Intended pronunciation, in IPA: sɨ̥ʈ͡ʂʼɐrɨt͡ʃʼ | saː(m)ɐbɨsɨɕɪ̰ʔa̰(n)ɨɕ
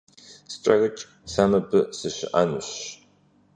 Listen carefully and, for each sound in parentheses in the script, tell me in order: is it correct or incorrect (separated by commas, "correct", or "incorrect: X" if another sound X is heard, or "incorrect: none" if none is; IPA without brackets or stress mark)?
correct, correct